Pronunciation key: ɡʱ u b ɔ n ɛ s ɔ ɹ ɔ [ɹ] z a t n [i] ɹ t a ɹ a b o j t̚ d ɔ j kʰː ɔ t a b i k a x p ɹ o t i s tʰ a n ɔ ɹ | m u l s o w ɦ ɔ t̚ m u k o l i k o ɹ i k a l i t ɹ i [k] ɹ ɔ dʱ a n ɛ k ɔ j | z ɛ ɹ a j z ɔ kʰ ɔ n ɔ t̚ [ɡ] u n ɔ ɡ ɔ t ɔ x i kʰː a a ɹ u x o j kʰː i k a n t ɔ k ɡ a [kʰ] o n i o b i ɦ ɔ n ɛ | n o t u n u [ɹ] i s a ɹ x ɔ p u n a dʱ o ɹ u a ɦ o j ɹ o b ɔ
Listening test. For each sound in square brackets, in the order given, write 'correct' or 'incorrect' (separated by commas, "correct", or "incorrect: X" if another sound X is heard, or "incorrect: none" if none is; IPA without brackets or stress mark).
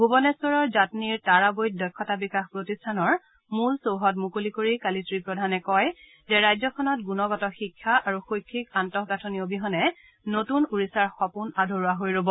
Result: correct, correct, incorrect: p, correct, incorrect: tʰ, correct